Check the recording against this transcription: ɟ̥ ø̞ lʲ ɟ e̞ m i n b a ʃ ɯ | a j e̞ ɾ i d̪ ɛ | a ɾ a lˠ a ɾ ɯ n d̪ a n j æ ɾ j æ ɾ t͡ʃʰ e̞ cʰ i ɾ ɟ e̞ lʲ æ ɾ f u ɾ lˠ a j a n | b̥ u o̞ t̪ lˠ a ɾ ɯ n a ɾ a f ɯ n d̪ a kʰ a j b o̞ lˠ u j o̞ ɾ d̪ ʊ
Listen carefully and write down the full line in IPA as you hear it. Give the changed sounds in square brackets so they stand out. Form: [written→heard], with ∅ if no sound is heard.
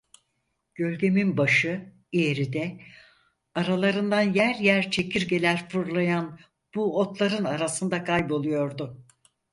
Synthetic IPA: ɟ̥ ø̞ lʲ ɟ e̞ m i n b a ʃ ɯ | [a→i] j e̞ ɾ i d̪ ɛ | a ɾ a lˠ a ɾ ɯ n d̪ a n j æ ɾ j æ ɾ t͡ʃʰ e̞ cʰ i ɾ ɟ e̞ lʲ æ ɾ f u ɾ lˠ a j a n | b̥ u o̞ t̪ lˠ a ɾ ɯ n a ɾ a [f→s] ɯ n d̪ a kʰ a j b o̞ lˠ u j o̞ ɾ d̪ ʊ

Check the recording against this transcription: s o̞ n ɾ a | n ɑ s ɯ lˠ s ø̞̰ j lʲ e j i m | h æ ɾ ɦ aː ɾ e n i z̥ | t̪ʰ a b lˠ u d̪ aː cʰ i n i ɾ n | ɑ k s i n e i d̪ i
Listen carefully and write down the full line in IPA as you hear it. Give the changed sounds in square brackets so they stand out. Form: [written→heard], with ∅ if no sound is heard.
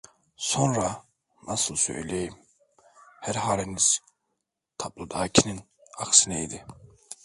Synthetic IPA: s o̞ n ɾ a | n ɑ s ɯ lˠ s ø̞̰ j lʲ e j i m | h æ ɾ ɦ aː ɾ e n i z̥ | t̪ʰ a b lˠ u d̪ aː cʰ i n i [ɾ→∅] n | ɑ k s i n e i d̪ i

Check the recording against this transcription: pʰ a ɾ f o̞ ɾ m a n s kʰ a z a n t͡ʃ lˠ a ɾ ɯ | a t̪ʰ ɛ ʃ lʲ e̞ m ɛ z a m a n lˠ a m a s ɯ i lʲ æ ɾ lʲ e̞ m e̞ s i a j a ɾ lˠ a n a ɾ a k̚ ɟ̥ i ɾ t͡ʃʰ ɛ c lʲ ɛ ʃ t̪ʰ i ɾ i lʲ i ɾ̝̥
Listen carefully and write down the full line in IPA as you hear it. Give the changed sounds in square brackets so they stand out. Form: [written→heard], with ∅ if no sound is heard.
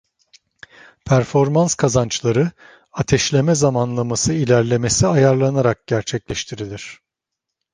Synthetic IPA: pʰ [a→æ] ɾ f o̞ ɾ m a n s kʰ a z a n t͡ʃ lˠ a ɾ ɯ | a t̪ʰ ɛ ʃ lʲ e̞ m ɛ z a m a n lˠ a m a s ɯ i lʲ æ ɾ lʲ e̞ m e̞ s i a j a ɾ lˠ a n a ɾ a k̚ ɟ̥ [i→æ] ɾ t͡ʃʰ ɛ c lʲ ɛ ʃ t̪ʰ i ɾ i lʲ i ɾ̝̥

